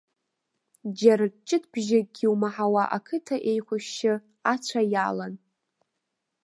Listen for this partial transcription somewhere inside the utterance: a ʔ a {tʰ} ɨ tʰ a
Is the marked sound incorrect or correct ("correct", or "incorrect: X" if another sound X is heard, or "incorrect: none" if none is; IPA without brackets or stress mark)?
incorrect: kʰ